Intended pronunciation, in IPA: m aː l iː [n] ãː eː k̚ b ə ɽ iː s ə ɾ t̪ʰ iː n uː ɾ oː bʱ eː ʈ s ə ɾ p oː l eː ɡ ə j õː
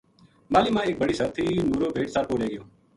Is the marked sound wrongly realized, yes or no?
yes